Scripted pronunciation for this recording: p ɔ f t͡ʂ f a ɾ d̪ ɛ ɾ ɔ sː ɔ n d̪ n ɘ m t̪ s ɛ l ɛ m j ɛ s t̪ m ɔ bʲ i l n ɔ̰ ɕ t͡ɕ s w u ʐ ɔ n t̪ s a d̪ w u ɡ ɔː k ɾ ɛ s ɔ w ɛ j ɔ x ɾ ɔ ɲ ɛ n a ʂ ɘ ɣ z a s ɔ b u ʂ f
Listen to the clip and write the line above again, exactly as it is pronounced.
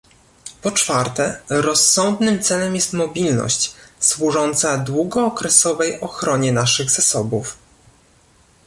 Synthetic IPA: p ɔ t͡ʂ f a ɾ t̪ ɛ ɾ ɔ sː ɔ n d̪ n ɘ m t̪ s ɛ l ɛ m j ɛ s t̪ m ɔ bʲ i l n ɔ̰ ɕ t͡ɕ s w u ʐ ɔ n t̪ s a d̪ w u ɡ ɔː k ɾ ɛ s ɔ v ɛ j ɔ x ɾ ɔ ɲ ɛ n a ʂ ɘ ɣ z a s ɔ b u f